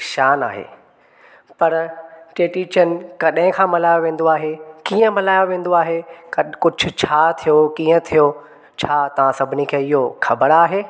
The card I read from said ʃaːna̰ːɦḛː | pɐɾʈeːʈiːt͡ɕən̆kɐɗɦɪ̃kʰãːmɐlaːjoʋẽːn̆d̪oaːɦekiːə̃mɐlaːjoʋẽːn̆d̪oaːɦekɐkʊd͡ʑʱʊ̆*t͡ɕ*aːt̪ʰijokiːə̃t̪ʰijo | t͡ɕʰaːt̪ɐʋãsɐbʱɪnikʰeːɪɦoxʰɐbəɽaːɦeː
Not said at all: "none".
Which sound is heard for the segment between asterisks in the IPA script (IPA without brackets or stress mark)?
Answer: t͡ɕʰ